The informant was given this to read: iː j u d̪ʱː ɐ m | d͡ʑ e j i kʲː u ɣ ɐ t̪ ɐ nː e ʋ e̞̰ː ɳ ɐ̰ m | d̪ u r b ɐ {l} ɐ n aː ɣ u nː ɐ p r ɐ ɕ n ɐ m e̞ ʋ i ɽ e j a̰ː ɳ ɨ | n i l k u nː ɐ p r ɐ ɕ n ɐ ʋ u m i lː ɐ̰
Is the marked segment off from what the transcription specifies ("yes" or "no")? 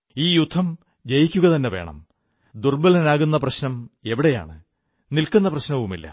no